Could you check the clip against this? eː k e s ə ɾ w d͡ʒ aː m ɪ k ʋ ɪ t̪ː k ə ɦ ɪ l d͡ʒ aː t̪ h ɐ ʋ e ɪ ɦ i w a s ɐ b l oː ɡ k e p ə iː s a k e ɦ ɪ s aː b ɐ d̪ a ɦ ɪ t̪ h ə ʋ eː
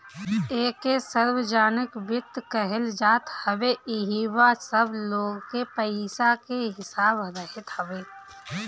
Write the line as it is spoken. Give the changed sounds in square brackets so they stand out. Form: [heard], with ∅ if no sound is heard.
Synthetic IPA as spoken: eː k e s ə ɾ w d͡ʒ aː [n] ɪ k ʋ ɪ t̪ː k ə ɦ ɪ l d͡ʒ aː t̪ h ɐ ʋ e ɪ ɦ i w a s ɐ b l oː ɡ k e p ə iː s a k e ɦ ɪ s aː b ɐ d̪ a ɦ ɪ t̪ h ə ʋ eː